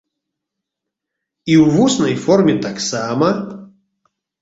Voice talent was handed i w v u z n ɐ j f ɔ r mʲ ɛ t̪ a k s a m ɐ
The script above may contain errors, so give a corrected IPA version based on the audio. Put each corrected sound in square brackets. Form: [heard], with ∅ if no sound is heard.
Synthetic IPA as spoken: i w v u [s] n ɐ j f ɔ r mʲ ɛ t̪ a k s a m ɐ